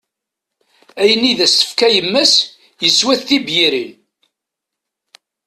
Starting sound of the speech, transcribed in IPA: æ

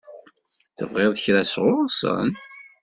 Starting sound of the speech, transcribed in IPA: θ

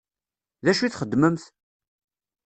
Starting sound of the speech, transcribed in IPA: ð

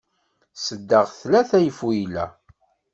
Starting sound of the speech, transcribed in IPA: s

